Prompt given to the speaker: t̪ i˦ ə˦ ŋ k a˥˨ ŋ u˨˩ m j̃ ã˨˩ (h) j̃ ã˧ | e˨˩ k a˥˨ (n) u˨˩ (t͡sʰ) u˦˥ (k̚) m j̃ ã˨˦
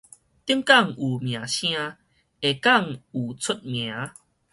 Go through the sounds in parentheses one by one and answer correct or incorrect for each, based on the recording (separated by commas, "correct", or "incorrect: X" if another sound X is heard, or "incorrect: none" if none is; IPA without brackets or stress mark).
incorrect: ɕ, incorrect: ŋ, correct, incorrect: t̚